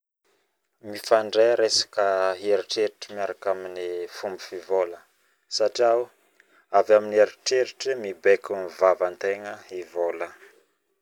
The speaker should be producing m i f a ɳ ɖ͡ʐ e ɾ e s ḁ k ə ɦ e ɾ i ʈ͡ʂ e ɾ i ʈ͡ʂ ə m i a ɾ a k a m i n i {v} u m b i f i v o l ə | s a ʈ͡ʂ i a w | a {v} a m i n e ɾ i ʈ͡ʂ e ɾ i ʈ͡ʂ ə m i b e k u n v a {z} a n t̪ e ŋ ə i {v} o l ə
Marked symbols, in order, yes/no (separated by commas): no, yes, no, yes